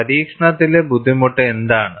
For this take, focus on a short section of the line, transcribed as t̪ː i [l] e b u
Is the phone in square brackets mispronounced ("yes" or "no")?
no